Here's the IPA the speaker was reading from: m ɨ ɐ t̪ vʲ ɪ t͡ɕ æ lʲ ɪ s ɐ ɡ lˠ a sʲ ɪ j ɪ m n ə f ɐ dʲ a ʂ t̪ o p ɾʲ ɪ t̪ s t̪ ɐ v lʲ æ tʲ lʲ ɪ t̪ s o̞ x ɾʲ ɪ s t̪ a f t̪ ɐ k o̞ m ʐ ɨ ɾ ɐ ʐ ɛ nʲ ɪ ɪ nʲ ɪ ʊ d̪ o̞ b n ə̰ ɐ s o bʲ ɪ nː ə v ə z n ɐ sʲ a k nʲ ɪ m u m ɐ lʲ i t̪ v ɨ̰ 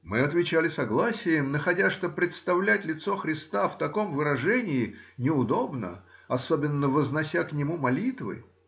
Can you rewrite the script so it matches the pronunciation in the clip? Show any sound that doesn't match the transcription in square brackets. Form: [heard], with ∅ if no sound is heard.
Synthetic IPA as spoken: m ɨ ɐ t̪ vʲ ɪ t͡ɕ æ lʲ ɪ s ɐ ɡ lˠ a sʲ ɪ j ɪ m n ə [x] ɐ dʲ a ʂ t̪ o p ɾʲ ɪ t̪ s t̪ ɐ v lʲ æ tʲ lʲ ɪ t̪ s o̞ x ɾʲ ɪ s t̪ a f t̪ ɐ k o̞ m [v] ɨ ɾ ɐ ʐ ɛ nʲ ɪ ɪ nʲ ɪ ʊ d̪ o̞ b n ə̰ ɐ s o bʲ ɪ nː ə v ə z n ɐ sʲ a k nʲ ɪ m u m ɐ lʲ i t̪ v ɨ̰